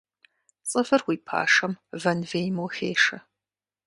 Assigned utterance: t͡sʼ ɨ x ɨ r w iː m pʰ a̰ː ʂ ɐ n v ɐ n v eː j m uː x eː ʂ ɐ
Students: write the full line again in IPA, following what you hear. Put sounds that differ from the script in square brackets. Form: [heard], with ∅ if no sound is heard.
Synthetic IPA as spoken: t͡sʼ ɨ [f] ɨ r w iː [∅] pʰ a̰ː ʂ ɐ [m] v ɐ n v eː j m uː x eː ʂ ɐ